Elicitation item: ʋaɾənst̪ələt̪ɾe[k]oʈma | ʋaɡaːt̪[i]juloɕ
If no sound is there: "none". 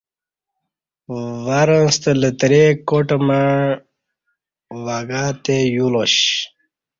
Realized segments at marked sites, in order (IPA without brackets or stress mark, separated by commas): k, e